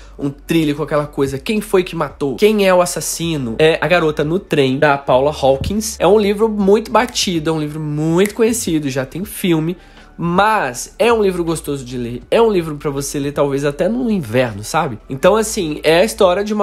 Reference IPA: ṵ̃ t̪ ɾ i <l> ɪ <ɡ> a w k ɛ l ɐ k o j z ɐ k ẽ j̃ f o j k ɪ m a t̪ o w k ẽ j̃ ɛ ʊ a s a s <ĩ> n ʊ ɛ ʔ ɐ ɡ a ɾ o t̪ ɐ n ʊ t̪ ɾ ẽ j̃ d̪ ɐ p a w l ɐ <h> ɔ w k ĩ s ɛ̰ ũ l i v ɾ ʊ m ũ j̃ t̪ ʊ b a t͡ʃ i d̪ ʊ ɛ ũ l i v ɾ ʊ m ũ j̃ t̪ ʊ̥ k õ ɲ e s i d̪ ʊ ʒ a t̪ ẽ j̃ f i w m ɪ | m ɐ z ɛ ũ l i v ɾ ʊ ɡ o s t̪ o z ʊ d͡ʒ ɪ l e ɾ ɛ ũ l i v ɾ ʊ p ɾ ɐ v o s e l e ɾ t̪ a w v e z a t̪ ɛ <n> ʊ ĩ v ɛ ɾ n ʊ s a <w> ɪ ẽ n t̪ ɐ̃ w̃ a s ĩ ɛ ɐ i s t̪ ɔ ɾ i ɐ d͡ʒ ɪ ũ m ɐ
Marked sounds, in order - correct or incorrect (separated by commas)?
correct, incorrect, correct, correct, correct, incorrect